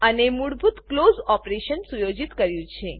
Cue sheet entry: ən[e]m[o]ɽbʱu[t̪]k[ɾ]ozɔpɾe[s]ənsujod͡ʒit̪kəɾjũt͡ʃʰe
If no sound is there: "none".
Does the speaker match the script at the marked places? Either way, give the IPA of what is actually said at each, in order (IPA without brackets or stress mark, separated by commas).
e, u, t̪, l, ʃ